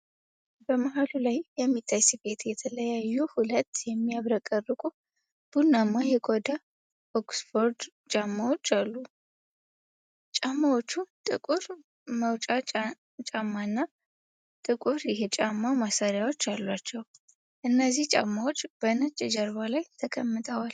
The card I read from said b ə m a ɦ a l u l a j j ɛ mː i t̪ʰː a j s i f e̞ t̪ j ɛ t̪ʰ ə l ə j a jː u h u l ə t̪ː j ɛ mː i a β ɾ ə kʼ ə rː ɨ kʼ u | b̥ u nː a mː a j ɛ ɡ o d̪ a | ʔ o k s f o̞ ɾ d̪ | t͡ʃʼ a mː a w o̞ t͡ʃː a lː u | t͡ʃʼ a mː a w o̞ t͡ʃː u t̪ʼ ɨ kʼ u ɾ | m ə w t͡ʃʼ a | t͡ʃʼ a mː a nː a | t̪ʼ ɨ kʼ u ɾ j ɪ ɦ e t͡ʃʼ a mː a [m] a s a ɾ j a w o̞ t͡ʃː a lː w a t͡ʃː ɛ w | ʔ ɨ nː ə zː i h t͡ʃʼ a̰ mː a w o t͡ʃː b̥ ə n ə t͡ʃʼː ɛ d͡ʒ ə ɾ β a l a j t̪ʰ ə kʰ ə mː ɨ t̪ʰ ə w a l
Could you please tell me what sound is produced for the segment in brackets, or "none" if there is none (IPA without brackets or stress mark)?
m